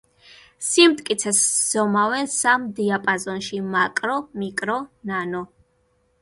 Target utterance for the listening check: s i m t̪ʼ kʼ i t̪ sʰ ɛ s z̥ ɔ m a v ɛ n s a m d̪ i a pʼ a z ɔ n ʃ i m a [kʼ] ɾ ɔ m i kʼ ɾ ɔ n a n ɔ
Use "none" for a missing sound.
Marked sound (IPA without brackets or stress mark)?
kʼ